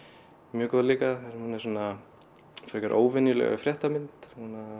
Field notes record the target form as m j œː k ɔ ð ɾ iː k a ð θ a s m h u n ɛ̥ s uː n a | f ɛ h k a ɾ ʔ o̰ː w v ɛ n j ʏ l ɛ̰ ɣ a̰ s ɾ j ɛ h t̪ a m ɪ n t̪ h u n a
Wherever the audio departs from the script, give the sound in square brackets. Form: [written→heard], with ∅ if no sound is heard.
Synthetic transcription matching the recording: m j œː k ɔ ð [ɾ→l] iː k a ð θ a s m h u n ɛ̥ s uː n a | f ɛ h k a ɾ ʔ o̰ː w v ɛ n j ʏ l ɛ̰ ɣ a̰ [s→f] ɾ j ɛ h t̪ a m ɪ n t̪ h u n a